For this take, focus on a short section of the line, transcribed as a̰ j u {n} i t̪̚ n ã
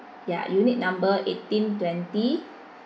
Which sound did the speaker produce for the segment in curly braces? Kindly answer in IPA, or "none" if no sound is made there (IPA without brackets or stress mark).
n